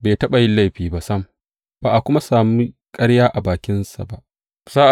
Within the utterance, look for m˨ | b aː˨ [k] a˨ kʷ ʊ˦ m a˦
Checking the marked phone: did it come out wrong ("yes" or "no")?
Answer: yes